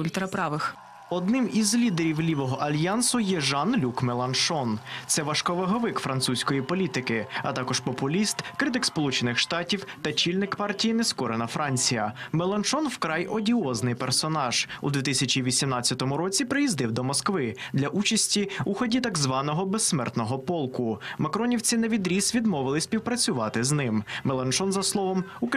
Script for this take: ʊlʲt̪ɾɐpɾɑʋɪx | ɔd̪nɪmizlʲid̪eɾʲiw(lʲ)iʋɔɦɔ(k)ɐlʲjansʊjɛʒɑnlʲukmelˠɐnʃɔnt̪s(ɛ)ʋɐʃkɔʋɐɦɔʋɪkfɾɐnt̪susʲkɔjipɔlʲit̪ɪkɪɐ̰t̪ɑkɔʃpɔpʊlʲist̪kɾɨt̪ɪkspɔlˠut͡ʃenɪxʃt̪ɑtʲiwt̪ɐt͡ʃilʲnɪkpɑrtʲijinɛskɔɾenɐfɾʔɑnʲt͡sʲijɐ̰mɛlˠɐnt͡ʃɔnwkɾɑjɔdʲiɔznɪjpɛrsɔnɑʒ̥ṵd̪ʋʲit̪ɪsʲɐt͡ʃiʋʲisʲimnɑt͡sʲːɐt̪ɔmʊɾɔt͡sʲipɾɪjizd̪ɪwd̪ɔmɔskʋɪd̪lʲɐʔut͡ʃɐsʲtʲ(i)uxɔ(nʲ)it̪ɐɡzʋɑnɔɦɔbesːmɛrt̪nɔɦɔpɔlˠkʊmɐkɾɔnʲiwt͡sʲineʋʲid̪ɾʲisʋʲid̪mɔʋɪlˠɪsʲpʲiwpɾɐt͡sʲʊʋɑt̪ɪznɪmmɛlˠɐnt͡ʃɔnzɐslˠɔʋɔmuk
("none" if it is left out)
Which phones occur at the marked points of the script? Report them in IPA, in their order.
lʲ, ʔ, ɛ, i, dʲ

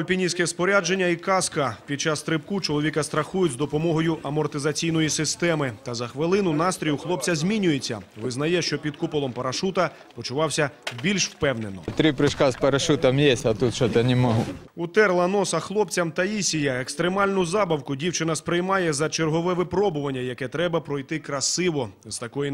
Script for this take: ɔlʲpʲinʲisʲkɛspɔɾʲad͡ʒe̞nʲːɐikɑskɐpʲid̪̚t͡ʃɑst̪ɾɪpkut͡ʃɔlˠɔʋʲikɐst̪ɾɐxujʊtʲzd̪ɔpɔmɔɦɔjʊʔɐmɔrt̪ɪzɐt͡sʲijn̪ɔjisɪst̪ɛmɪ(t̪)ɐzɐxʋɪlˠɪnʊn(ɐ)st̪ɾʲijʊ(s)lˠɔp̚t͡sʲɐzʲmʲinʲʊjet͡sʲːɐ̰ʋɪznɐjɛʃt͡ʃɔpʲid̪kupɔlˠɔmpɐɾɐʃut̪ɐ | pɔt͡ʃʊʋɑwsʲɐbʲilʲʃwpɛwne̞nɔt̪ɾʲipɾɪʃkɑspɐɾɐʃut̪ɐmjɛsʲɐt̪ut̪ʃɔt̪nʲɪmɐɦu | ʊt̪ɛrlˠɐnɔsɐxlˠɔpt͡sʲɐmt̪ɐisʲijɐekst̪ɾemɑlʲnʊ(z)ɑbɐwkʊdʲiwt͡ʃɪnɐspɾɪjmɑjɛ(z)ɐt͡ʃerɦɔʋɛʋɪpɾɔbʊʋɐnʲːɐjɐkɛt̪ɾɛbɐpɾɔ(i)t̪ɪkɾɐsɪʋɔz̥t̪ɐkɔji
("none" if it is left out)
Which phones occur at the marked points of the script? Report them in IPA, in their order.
t̪, ɑ, x, z, z, j

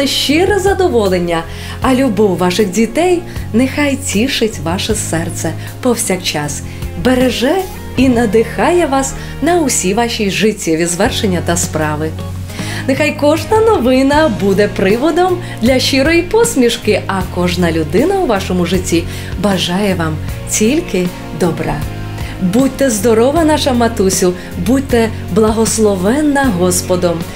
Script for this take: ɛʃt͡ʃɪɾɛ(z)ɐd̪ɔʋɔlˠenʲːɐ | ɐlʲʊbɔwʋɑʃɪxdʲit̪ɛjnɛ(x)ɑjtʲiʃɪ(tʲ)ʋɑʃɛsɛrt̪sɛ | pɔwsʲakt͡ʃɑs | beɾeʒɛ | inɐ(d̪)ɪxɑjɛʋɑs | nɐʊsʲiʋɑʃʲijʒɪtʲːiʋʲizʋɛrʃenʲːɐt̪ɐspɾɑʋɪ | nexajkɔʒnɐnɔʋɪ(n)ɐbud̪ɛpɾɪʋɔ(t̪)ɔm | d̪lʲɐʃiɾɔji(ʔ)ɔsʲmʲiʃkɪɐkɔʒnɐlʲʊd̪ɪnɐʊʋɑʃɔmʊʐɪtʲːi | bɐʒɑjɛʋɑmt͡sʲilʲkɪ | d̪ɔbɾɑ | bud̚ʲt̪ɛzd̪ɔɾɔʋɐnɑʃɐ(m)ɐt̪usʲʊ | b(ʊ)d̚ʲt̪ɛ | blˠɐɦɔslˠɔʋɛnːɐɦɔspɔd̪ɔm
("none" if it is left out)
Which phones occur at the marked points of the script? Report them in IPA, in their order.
z, x, tʲ, d̪, n, d̪, p, m, u

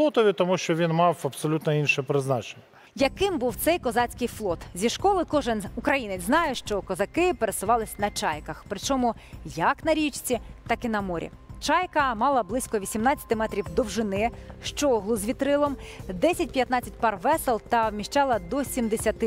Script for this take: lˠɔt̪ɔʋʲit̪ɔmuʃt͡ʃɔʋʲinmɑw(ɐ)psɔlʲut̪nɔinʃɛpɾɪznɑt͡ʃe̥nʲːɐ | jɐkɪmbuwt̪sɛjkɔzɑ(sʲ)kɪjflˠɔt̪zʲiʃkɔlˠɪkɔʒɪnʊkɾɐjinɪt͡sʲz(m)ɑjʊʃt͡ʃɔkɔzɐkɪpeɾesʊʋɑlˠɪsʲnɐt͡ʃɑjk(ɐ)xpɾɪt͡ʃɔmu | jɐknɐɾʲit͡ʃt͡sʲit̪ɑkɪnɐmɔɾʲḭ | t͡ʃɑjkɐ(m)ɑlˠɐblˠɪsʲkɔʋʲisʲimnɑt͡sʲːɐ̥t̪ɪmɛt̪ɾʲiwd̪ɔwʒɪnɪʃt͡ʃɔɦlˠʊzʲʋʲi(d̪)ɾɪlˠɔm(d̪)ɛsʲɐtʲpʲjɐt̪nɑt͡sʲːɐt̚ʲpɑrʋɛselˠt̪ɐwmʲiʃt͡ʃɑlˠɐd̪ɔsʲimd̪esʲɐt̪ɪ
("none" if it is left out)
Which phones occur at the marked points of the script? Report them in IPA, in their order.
ɐ, t͡sʲ, n, ɐ, m, t̪, d̪

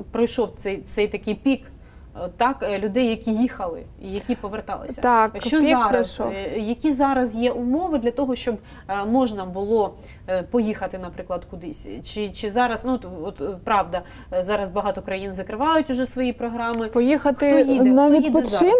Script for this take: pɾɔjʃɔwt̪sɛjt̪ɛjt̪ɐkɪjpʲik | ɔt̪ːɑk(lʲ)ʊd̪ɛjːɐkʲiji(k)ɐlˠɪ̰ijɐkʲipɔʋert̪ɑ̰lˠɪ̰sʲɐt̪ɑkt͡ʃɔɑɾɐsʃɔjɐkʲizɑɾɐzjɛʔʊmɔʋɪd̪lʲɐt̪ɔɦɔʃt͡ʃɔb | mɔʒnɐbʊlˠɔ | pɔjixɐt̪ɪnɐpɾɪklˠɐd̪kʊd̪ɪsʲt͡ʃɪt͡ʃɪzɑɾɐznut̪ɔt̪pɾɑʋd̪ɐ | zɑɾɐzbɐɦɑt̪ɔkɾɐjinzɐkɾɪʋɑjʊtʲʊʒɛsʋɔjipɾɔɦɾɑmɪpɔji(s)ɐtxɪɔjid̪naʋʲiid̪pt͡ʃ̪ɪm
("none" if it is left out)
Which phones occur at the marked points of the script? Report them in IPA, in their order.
lʲ, x, x

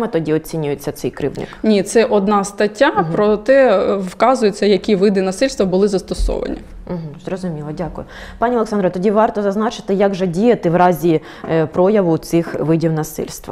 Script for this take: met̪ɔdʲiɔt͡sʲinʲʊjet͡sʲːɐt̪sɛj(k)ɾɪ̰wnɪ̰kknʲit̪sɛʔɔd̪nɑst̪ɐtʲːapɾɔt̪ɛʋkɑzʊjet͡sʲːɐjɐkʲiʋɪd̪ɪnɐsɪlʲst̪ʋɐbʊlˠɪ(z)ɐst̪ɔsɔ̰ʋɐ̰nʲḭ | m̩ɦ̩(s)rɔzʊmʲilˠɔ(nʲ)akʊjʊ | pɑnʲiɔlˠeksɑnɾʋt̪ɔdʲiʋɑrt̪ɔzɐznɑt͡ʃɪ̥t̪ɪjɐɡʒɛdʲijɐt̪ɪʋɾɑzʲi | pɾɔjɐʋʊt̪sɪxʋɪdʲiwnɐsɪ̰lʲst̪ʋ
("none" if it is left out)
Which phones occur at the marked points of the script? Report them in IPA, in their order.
k, z, z, dʲ

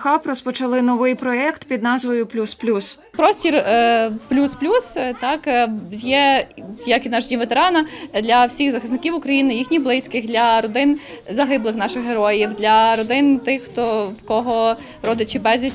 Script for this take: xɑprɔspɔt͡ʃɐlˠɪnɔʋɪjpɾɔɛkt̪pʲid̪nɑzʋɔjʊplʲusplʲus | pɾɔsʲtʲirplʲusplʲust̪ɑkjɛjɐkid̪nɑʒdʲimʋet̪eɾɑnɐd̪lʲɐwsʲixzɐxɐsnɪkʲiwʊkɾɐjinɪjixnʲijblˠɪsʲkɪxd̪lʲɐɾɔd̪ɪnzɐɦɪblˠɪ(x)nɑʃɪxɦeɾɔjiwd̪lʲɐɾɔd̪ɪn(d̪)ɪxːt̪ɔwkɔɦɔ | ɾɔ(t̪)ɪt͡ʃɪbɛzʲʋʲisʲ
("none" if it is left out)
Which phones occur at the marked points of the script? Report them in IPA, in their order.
x, t̪, d̪

